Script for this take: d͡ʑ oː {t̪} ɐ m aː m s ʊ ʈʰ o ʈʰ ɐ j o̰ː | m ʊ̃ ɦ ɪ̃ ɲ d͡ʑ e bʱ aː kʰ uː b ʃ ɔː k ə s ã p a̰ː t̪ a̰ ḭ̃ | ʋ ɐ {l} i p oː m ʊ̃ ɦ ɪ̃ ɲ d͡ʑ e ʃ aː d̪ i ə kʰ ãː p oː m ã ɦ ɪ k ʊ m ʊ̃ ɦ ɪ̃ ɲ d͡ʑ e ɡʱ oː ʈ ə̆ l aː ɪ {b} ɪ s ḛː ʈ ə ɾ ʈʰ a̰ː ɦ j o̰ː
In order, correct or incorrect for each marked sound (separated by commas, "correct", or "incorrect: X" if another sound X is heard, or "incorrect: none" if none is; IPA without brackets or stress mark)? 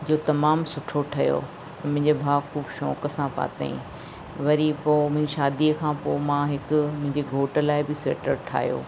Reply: correct, incorrect: ɾ, correct